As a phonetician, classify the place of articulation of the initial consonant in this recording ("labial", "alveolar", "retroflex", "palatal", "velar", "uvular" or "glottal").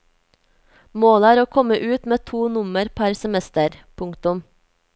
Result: labial